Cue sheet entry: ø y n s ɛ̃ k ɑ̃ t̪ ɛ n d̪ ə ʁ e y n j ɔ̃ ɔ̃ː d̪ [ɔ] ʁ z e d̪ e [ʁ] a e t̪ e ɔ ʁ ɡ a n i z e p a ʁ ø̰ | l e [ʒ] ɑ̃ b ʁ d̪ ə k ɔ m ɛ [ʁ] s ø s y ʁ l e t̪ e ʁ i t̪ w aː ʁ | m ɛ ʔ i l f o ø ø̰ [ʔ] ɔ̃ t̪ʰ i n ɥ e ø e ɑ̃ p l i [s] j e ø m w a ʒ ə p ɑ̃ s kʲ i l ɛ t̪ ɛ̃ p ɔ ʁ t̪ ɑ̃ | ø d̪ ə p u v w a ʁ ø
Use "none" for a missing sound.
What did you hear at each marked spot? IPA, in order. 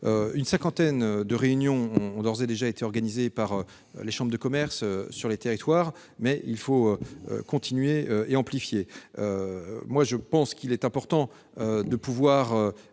ɔ, ʒ, ʃ, ʁ, k, f

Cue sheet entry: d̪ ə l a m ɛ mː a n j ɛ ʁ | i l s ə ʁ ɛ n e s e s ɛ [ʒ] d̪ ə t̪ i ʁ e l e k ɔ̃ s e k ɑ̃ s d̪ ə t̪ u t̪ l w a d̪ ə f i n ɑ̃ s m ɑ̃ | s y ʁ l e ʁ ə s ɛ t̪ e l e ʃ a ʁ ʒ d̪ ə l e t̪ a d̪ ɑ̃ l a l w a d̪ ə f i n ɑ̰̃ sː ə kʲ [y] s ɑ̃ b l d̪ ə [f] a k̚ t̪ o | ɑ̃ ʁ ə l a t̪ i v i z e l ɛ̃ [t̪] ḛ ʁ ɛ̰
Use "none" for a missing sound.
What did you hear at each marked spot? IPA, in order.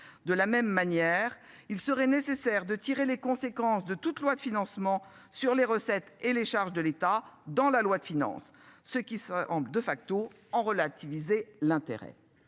ʁ, i, f, t̪

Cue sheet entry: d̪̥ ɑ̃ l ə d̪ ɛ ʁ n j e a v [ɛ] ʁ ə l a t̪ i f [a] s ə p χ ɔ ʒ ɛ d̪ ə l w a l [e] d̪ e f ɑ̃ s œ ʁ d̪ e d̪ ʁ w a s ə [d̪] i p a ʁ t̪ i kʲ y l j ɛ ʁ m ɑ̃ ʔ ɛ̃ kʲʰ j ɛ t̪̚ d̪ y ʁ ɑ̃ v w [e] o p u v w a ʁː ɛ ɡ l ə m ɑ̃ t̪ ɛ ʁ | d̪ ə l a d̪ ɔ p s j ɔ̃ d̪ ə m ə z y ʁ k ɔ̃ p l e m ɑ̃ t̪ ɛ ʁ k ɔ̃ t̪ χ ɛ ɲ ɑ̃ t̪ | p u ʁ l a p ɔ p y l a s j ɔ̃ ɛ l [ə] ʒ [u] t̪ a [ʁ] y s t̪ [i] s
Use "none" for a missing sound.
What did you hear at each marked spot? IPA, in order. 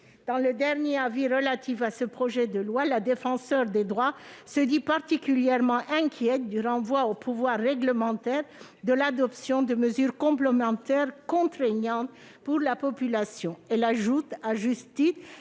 i, a, a, d̪, a, a, u, ʒ, i

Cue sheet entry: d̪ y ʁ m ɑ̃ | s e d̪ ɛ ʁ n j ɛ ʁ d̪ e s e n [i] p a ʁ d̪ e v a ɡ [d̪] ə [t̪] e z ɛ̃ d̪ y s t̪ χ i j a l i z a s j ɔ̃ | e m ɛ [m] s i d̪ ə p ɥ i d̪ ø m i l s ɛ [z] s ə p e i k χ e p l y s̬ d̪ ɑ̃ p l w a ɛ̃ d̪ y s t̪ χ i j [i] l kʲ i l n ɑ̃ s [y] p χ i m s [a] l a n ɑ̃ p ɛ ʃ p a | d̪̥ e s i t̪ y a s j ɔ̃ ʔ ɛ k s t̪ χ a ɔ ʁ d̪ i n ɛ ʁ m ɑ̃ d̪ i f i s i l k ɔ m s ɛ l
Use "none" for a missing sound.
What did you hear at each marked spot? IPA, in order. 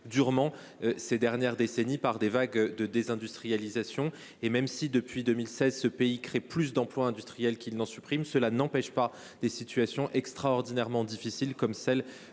i, d̪, d̪, m, z, ɛ, y, ə

